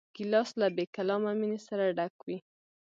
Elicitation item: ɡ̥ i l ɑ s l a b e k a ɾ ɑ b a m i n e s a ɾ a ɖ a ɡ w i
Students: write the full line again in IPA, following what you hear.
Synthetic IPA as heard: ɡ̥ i l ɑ s l a b e k a l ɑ m a m i n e s a ɾ a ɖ a k w i